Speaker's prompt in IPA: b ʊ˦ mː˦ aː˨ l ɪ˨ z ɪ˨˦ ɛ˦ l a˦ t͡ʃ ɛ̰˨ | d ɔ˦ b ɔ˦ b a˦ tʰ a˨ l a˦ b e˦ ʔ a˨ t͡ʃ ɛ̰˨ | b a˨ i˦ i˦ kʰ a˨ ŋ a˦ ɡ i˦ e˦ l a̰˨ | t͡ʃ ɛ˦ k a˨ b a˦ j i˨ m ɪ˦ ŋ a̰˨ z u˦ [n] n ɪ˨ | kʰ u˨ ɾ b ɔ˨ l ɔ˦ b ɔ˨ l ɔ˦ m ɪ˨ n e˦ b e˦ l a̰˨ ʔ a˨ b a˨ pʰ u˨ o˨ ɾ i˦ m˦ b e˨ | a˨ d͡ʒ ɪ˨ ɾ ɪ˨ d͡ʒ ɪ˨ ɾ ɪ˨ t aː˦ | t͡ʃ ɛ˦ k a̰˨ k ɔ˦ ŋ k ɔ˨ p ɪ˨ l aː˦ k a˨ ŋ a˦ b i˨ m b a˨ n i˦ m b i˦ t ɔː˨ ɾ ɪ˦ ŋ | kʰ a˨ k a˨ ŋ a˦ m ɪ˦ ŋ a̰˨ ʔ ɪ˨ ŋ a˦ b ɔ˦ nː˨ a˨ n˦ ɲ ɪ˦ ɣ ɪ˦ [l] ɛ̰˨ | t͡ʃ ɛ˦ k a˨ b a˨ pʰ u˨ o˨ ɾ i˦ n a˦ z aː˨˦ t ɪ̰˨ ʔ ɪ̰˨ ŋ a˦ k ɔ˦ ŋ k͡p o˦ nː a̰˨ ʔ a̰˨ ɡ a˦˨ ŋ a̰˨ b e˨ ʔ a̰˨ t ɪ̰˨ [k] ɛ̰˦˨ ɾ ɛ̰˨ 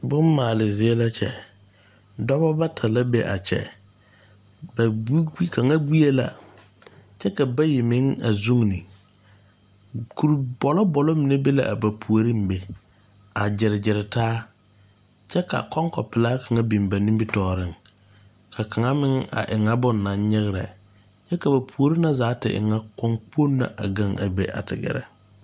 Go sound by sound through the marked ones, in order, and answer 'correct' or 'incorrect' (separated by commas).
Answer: incorrect, incorrect, incorrect